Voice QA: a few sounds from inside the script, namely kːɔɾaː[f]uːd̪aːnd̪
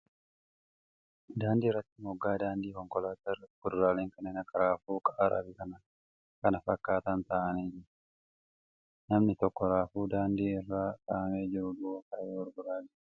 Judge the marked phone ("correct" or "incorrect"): correct